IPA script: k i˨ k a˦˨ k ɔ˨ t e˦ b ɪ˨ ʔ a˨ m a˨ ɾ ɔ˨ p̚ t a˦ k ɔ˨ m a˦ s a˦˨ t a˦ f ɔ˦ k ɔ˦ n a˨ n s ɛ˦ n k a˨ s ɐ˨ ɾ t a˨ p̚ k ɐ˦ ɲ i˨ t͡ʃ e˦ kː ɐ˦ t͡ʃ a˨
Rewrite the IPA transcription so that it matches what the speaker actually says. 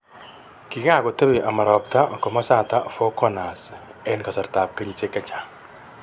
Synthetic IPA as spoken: k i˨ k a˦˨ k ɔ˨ t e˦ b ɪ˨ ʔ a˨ m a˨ ɾ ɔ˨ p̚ t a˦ k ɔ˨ m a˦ s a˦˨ t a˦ f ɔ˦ k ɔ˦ n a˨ s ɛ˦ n k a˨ s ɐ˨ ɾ t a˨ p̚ k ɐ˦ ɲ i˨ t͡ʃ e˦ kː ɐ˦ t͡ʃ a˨

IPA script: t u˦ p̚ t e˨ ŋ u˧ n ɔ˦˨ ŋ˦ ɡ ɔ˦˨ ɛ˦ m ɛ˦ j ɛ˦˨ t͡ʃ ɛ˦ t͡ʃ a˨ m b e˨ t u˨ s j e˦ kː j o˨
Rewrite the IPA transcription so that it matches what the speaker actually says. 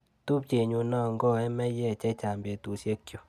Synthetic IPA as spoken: t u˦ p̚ t͡ʃ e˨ ɲ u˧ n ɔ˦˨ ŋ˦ ɡ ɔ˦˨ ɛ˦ m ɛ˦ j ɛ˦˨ t͡ʃ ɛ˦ t͡ʃ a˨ m b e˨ t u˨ s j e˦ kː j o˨

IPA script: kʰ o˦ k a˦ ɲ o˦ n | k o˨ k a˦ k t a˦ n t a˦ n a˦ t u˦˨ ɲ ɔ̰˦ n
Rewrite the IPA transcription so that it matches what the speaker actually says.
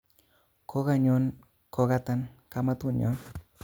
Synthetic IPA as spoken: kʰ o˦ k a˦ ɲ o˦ n | k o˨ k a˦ t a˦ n k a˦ m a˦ t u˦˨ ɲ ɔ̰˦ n

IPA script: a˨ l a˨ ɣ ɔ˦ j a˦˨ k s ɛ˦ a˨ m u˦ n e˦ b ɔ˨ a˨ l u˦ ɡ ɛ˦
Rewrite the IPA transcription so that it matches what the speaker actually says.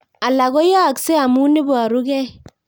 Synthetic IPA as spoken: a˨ l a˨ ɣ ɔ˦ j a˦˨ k s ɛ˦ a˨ m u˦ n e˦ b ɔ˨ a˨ ɾ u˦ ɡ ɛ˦

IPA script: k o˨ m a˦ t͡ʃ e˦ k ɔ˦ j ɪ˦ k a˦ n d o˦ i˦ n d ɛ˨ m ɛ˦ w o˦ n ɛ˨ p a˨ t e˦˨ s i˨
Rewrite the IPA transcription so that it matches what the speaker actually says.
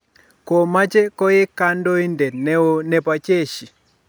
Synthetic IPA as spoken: k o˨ m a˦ t͡ʃ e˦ k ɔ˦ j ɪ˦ k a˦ n d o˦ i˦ n d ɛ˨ n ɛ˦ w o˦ n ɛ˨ p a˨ t͡ʃ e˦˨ ʃ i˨

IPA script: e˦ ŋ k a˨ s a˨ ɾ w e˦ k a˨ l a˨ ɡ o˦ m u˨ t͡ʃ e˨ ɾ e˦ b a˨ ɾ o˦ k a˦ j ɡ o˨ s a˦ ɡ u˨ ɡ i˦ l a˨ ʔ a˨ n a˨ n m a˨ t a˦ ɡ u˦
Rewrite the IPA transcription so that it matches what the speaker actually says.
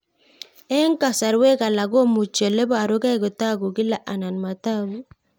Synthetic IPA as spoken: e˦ ŋ k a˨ s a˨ ɾ w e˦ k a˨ l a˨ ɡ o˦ m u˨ t͡ʃ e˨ l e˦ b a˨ ɾ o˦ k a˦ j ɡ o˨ t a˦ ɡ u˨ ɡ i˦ l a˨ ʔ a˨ n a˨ n m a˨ t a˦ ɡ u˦

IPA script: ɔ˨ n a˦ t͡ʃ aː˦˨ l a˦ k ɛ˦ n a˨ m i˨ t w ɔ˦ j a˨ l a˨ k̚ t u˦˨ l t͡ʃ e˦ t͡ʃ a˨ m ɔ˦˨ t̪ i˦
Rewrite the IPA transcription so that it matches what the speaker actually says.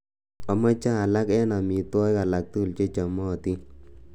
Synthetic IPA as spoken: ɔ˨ m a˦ t͡ʃ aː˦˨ l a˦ k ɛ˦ n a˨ m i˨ t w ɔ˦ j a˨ l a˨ k̚ t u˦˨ l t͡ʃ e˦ t͡ʃ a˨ m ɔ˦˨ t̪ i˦

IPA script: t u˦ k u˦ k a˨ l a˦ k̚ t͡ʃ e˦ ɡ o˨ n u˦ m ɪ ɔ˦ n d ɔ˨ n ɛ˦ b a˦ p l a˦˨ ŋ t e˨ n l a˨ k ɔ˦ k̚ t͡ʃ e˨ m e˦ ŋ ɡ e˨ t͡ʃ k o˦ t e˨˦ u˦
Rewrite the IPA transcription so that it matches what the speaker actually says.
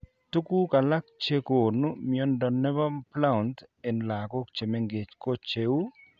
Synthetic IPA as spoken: t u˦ k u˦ k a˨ l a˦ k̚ t͡ʃ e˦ k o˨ n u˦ m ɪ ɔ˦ n d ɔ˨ n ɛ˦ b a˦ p l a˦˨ n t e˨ n l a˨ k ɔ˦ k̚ t͡ʃ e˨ m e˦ ŋ ɡ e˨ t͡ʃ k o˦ t͡ʃ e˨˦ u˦

